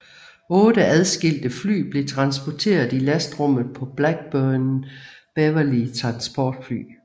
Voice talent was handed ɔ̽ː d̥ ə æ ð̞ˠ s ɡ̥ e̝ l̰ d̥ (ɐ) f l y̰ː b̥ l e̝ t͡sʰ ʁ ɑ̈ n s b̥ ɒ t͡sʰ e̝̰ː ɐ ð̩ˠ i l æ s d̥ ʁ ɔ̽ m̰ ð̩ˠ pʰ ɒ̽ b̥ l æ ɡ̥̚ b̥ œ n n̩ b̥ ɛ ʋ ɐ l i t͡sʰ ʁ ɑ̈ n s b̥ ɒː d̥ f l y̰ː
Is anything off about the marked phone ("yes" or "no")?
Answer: yes